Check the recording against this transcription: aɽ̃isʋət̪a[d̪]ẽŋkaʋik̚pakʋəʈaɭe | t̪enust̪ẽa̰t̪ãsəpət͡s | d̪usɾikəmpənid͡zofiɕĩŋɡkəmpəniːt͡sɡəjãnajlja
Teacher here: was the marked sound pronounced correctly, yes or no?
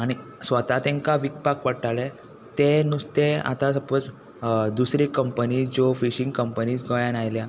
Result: no